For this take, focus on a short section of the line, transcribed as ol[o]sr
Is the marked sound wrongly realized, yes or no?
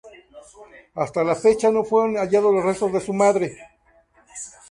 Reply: no